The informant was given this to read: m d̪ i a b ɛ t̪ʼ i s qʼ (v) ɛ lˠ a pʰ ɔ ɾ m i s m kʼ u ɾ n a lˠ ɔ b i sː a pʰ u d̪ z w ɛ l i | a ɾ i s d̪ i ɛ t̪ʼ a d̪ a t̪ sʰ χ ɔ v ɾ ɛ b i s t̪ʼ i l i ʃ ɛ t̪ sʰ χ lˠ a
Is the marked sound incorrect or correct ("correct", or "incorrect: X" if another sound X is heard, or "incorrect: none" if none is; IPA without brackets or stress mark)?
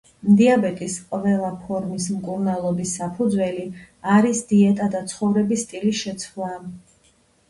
correct